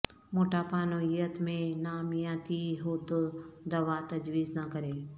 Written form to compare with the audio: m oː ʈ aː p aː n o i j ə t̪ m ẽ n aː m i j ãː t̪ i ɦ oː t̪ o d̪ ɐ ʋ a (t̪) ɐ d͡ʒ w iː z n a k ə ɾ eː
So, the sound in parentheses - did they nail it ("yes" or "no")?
yes